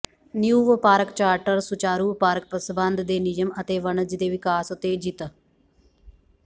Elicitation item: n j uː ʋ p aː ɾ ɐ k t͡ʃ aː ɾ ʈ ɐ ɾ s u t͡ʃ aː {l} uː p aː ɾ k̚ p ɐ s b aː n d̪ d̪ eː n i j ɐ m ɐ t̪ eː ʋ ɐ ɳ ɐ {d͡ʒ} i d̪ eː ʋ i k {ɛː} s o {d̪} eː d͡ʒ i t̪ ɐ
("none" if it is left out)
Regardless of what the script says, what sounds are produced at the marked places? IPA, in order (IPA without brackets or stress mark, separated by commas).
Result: ɾ, d͡ʒ, aː, t̪